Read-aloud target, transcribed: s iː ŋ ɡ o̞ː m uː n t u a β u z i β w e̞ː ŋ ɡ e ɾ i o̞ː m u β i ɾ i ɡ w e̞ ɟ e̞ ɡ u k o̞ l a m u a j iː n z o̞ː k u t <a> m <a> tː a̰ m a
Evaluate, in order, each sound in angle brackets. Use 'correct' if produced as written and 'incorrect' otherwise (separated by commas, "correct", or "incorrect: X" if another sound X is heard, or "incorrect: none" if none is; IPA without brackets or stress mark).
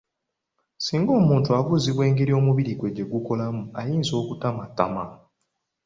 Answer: correct, correct